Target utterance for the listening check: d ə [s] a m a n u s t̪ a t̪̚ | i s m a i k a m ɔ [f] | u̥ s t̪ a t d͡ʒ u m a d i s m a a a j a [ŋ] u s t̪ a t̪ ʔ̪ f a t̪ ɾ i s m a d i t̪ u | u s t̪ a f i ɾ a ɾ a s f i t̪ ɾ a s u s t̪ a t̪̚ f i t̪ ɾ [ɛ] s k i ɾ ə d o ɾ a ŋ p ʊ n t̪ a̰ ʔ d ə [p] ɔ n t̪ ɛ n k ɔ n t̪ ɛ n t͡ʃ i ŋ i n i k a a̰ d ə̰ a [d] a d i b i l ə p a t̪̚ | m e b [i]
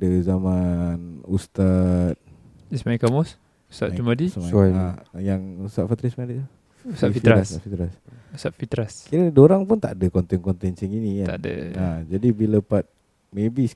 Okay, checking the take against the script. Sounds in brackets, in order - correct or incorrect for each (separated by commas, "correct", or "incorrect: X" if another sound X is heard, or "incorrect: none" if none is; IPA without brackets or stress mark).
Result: incorrect: z, incorrect: s, correct, incorrect: a, incorrect: k, incorrect: d͡ʒ, correct